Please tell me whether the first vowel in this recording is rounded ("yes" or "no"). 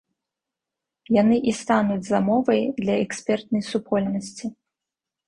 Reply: no